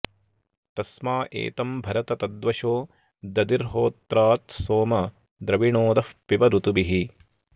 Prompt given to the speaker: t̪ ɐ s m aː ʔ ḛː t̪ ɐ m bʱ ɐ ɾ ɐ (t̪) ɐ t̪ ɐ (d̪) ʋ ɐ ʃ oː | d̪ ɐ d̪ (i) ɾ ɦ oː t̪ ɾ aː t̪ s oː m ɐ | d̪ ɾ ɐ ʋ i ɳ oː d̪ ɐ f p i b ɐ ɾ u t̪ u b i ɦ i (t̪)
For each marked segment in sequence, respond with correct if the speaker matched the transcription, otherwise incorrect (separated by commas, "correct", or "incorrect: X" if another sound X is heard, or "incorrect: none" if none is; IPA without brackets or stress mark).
correct, correct, correct, incorrect: none